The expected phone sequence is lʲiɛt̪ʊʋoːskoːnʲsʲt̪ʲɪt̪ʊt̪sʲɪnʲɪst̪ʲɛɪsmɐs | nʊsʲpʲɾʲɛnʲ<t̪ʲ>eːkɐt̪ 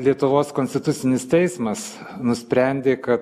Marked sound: incorrect: d̪ʲ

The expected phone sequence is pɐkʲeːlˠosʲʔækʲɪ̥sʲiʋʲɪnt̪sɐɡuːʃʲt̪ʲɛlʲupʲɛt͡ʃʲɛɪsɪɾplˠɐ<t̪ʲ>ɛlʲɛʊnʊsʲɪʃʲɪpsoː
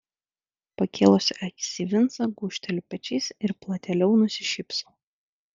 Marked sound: correct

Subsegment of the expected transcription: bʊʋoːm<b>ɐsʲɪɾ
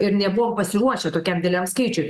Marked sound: incorrect: p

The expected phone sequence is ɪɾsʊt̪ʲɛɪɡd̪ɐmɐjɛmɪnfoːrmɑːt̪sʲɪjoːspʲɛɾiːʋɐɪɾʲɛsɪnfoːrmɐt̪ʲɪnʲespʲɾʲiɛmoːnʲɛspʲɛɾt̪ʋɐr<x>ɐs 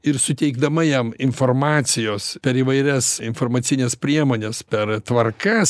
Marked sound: incorrect: k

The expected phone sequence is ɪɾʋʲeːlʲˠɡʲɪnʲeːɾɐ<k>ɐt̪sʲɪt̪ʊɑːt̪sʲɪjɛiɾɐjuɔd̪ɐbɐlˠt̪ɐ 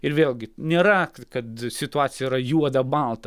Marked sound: correct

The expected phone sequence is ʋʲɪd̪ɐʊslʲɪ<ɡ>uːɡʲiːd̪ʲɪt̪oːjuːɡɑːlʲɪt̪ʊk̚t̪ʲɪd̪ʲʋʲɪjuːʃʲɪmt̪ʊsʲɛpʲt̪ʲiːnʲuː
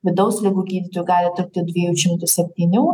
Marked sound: correct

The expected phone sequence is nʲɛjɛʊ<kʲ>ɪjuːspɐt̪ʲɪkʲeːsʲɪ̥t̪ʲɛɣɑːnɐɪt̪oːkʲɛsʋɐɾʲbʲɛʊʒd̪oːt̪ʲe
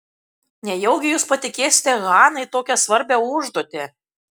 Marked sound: incorrect: ɡʲ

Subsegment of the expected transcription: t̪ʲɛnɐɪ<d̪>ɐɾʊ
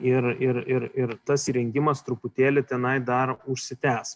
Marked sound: correct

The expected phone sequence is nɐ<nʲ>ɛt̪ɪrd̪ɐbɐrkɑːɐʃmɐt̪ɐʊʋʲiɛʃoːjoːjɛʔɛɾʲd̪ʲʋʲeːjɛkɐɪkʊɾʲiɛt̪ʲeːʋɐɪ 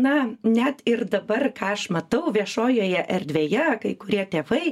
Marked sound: correct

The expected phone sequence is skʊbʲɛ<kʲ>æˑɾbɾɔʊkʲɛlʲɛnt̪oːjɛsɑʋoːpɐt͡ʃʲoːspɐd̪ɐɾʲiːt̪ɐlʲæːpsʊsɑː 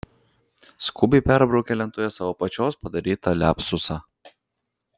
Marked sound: incorrect: pʲ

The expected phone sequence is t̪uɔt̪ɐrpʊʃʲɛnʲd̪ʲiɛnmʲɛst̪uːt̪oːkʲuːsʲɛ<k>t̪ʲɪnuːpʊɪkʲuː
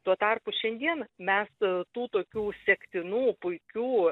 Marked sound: correct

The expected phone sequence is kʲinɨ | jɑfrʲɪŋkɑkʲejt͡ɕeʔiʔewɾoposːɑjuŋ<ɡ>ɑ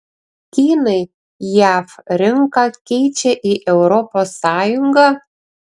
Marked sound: correct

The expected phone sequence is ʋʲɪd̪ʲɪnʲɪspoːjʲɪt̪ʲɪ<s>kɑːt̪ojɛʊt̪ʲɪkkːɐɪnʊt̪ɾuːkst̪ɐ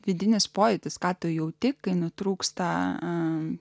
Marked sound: correct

